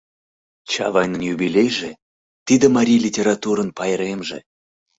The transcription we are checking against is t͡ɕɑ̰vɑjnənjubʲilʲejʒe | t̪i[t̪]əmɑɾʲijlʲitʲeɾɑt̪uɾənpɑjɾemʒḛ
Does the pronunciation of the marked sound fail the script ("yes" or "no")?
yes